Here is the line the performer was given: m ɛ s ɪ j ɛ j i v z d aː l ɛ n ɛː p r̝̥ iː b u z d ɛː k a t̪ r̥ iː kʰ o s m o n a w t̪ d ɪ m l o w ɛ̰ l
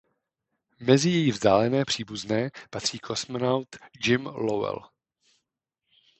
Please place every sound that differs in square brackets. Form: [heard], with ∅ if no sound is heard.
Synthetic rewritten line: m ɛ [z] ɪ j ɛ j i v z d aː l ɛ n ɛː p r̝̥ iː b u z [n] ɛː [p] a t̪ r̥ iː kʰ o s m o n a w t̪ [d͡ʒ] ɪ m l o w ɛ̰ l